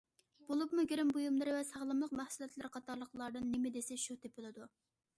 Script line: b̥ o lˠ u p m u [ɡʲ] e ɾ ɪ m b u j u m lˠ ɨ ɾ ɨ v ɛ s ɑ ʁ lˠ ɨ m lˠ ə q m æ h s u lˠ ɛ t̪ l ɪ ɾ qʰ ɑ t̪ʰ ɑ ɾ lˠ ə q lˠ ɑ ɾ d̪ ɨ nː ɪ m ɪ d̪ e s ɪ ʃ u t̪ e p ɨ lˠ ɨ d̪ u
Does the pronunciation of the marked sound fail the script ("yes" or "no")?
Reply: no